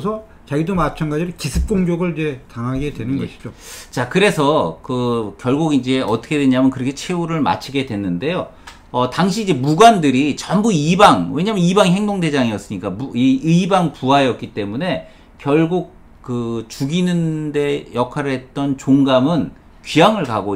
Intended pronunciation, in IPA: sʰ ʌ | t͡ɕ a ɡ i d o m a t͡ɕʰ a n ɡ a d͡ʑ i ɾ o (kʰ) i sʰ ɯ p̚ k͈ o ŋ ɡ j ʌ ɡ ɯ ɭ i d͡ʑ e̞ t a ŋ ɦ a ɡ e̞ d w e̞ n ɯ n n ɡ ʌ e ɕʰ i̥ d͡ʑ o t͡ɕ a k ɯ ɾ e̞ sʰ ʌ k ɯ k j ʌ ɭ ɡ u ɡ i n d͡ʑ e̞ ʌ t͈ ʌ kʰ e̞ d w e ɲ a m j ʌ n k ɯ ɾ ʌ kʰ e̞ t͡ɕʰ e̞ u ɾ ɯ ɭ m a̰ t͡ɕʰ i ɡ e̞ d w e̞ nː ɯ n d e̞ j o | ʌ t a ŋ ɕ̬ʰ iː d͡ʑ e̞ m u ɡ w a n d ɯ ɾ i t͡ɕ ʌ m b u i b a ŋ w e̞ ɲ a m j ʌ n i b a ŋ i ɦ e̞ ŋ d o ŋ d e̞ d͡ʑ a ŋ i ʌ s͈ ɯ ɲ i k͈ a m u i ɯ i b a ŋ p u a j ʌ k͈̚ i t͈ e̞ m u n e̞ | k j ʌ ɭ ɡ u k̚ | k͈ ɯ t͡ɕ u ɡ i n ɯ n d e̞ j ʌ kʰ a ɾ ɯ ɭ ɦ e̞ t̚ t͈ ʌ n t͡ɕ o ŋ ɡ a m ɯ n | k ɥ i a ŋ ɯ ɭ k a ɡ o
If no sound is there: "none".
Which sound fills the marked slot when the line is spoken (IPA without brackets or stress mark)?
k